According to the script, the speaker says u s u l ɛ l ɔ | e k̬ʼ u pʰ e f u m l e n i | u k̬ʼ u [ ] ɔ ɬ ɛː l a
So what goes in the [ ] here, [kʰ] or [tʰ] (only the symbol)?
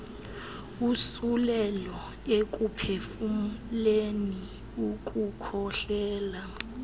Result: kʰ